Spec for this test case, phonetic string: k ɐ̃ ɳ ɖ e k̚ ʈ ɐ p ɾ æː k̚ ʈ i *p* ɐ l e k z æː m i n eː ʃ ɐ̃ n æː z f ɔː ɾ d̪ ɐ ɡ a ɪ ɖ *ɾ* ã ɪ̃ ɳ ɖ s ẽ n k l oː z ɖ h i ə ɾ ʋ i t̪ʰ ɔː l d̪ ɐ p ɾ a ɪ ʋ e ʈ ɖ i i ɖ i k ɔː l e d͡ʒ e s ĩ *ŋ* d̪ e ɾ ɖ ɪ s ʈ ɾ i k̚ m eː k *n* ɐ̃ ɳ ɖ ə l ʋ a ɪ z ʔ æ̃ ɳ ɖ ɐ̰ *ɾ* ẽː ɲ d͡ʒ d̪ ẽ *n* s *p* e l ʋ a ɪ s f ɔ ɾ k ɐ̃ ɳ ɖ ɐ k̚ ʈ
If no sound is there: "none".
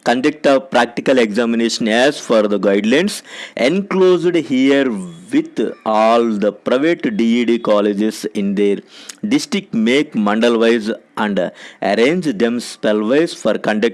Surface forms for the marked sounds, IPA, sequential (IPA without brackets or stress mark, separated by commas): k, l, n, m, ɾ, m, p